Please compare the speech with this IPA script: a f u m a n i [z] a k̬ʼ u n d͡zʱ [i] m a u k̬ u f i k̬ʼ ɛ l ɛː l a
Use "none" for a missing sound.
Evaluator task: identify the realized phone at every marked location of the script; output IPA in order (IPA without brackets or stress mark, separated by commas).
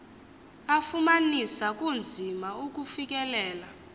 s, i